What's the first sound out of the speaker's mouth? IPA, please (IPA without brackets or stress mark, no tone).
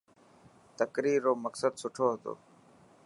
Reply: t̪